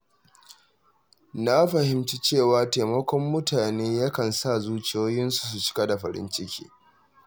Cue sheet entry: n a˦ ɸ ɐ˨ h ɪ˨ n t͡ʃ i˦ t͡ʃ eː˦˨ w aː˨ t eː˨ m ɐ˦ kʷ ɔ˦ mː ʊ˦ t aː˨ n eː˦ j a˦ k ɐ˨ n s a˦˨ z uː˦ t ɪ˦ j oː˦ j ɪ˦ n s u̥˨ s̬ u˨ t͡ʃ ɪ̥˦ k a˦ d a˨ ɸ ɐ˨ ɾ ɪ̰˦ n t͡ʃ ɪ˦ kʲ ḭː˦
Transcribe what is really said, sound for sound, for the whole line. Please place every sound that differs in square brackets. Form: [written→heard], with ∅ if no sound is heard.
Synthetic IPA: n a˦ ɸ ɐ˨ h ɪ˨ [n→m] t͡ʃ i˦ t͡ʃ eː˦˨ w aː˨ t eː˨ m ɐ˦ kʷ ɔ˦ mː ʊ˦ t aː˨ n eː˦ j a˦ k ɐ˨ n s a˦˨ z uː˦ [t→t͡ʃ] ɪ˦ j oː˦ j ɪ˦ n s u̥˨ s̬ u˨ t͡ʃ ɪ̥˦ k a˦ d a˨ ɸ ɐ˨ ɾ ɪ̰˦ n t͡ʃ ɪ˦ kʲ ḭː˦